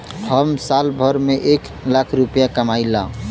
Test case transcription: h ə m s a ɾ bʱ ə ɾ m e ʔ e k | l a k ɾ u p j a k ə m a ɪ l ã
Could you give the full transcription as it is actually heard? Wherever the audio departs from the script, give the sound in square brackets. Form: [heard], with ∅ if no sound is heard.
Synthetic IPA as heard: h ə m s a [l] bʱ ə ɾ m e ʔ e k | l a [kʰ] ɾ u p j a k ə m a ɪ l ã